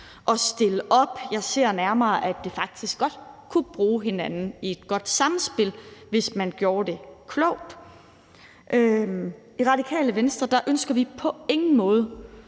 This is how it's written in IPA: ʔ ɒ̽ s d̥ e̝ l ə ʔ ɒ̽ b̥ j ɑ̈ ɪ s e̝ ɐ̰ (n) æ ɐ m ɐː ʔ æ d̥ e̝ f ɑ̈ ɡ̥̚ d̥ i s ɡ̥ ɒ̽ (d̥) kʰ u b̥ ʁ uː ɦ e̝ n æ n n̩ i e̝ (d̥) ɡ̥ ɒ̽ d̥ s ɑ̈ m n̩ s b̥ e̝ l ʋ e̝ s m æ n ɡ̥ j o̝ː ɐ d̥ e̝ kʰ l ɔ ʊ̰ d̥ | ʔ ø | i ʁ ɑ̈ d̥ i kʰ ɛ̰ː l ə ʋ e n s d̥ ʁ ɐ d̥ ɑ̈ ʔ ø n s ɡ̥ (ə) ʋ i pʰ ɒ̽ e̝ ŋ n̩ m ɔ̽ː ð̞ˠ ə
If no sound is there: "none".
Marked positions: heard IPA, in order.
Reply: n, d̥, d̥, ɐ

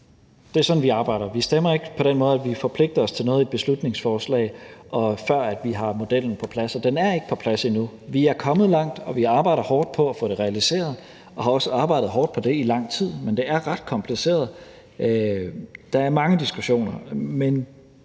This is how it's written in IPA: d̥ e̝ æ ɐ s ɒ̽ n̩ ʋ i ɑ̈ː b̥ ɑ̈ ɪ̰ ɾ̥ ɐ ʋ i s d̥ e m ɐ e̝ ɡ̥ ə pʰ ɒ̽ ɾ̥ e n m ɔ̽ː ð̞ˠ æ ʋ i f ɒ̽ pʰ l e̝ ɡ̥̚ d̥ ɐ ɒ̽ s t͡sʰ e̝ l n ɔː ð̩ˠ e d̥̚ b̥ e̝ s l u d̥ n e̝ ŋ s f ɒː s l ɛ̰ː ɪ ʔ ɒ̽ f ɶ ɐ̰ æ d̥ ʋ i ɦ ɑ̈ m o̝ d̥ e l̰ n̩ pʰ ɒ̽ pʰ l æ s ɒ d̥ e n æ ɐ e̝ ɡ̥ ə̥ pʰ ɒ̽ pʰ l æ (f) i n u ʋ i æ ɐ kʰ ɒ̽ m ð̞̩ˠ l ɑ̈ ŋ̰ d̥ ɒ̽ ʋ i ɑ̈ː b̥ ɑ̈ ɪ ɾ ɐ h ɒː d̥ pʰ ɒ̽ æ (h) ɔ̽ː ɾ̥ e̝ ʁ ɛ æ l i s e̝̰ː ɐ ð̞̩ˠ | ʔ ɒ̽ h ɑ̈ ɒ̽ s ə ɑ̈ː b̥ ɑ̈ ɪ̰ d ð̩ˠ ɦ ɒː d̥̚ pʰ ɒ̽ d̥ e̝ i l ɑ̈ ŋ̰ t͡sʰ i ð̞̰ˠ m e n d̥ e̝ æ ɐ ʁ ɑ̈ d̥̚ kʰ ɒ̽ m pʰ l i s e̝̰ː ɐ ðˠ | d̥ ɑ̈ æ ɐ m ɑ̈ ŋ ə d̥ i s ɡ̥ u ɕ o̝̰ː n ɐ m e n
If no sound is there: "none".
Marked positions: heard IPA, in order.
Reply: s, f

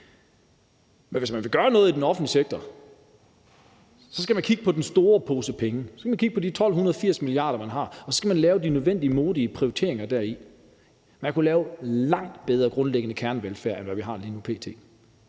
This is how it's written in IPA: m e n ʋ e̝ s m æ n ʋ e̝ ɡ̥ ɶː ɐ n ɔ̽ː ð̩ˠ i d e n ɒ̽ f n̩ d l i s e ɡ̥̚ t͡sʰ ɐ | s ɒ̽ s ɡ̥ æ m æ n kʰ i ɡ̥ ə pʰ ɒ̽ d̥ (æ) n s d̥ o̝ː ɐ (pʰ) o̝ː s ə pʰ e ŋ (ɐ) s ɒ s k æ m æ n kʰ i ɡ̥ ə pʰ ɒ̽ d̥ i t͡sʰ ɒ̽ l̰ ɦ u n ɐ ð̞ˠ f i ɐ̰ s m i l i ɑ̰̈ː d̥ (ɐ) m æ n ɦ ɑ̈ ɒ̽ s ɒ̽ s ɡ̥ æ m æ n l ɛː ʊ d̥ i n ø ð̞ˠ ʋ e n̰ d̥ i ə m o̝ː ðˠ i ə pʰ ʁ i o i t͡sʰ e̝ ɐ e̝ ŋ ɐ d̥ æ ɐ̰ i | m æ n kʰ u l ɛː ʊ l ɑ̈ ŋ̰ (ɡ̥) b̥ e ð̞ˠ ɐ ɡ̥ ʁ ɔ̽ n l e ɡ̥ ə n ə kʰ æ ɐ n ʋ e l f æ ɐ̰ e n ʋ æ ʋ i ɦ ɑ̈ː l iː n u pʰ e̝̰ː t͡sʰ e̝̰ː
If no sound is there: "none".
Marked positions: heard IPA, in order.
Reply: e, pʰ, ə, ɐ, d̥

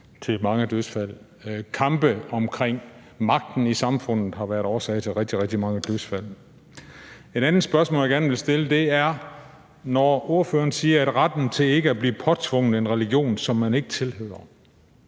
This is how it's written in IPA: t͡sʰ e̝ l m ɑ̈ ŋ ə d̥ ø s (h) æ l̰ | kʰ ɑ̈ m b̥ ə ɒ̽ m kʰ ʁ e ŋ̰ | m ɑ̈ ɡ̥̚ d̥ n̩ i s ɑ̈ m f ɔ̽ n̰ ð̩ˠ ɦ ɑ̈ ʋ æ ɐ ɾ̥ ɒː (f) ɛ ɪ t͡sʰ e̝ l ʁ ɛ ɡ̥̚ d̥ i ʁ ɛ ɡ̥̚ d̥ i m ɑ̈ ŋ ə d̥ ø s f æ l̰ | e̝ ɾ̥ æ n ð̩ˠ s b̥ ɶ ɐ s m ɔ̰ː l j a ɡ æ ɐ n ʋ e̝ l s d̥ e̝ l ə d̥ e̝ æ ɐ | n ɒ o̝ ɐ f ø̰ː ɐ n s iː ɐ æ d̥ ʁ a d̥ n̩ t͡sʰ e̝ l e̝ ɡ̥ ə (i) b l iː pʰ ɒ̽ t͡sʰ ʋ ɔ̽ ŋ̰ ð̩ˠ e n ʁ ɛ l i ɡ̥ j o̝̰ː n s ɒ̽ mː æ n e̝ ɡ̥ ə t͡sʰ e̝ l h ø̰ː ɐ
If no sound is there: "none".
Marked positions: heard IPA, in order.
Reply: f, s, æ

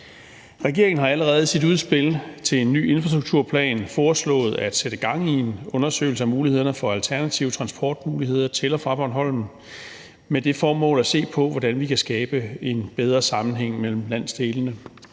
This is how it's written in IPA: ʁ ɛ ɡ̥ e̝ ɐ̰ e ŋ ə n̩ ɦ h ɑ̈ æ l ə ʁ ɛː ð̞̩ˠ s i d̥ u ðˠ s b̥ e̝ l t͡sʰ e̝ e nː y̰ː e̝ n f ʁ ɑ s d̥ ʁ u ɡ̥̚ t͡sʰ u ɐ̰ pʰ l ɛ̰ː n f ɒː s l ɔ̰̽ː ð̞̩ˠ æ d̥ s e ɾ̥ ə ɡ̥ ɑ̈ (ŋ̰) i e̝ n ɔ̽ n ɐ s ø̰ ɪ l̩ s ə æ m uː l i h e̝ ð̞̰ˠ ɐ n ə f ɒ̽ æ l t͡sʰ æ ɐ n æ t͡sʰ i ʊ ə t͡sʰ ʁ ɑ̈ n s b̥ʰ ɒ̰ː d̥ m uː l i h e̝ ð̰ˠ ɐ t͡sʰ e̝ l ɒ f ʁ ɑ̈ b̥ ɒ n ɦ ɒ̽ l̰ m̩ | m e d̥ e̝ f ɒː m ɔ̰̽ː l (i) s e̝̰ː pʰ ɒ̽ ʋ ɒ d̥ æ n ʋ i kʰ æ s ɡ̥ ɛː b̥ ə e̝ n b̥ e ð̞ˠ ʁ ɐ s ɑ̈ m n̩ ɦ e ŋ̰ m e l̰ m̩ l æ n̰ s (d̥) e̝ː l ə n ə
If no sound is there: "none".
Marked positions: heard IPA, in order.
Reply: ŋ̰, æ, d̥

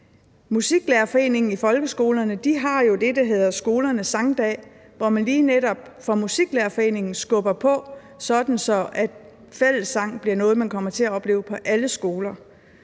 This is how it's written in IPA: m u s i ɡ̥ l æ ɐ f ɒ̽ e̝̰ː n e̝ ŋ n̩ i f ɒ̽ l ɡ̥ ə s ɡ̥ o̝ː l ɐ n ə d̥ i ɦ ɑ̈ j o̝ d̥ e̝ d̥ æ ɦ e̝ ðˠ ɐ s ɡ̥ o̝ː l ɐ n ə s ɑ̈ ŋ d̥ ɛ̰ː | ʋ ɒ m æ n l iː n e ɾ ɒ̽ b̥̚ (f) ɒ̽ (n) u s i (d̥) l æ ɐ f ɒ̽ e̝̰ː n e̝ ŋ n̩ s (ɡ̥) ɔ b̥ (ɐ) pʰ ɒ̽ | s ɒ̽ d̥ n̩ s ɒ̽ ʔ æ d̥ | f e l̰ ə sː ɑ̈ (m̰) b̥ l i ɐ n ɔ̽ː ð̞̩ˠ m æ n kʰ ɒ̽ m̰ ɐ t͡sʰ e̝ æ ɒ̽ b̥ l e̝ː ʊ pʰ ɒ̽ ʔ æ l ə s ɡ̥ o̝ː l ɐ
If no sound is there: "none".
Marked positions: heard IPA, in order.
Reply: f, m, ɡ̥, ɡ̥, ɐ, ŋ̰

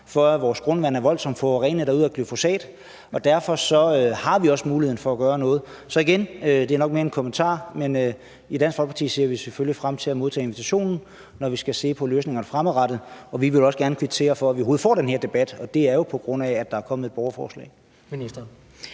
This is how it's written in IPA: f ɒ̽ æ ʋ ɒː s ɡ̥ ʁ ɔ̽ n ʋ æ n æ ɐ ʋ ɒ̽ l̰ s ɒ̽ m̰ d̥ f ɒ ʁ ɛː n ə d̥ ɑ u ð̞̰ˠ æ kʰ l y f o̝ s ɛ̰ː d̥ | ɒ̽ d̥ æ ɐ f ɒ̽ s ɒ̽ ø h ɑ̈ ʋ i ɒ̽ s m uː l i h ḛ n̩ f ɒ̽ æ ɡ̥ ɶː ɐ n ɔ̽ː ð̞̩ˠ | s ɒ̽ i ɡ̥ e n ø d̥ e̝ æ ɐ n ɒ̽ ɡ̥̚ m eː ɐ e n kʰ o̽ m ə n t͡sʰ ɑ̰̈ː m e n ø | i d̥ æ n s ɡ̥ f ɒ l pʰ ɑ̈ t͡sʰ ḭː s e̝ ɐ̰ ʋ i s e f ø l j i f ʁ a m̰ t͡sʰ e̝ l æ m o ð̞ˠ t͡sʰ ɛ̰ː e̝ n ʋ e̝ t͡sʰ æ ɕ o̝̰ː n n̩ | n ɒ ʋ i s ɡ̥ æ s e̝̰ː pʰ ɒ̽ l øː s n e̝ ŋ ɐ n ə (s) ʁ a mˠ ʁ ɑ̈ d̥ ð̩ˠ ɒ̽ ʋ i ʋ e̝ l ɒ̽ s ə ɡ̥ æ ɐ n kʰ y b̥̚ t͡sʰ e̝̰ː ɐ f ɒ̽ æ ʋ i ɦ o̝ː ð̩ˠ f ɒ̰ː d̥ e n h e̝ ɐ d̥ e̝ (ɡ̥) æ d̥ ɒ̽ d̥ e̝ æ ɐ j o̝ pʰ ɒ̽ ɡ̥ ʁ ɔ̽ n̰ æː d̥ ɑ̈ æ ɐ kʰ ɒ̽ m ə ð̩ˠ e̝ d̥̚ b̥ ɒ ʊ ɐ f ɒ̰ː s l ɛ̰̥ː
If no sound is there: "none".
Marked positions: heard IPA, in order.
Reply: f, b̥

